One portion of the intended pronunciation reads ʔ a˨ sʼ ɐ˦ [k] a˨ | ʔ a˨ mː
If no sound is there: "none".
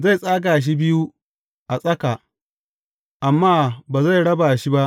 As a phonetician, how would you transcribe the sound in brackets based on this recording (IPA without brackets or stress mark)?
k